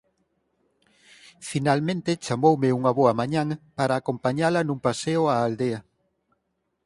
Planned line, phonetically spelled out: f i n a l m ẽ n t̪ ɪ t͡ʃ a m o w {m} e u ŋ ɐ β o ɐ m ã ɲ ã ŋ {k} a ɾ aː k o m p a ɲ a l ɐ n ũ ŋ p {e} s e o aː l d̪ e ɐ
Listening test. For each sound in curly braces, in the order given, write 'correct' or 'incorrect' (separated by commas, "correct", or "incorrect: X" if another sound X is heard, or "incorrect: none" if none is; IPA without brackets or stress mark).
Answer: correct, incorrect: p, incorrect: a